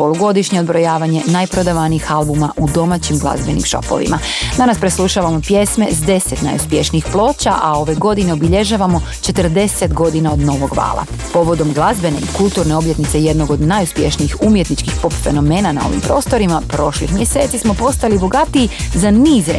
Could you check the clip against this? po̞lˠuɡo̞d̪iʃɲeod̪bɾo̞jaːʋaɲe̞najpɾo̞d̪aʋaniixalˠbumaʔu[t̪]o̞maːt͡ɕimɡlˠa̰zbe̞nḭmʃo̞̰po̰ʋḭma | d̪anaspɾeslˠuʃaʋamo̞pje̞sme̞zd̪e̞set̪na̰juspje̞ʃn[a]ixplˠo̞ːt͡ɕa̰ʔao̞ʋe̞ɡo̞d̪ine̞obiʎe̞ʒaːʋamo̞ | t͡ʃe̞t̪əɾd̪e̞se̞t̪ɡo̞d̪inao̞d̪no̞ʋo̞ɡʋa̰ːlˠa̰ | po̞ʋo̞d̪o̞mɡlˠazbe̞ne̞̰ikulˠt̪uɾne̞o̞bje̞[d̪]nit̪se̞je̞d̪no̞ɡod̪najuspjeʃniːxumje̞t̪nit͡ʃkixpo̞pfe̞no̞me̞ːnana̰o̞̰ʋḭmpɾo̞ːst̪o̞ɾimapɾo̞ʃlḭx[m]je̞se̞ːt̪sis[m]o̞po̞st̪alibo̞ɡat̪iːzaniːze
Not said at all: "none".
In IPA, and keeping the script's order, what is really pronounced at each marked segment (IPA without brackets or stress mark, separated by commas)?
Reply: d̪, i, t̪, m, m